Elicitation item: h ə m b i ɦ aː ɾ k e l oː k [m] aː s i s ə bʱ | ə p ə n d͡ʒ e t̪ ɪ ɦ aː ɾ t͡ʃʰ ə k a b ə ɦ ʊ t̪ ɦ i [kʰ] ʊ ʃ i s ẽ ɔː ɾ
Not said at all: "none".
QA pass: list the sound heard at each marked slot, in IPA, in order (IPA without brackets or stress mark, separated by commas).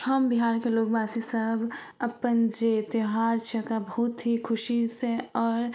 b, kʰ